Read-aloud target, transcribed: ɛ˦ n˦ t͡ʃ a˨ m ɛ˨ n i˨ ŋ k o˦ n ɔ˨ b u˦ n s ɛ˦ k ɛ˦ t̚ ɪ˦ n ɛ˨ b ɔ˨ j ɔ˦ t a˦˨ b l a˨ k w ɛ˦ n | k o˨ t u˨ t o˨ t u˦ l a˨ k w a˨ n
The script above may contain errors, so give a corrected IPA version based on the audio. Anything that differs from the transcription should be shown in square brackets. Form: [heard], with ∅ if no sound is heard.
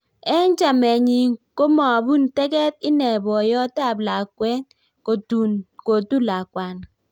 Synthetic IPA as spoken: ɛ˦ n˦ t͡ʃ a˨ m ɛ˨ [ɲ] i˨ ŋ k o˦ [m] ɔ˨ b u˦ n [t] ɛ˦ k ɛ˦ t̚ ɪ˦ n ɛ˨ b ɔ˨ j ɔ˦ t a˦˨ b l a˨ k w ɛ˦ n | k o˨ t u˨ [k] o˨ t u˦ l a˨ k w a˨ n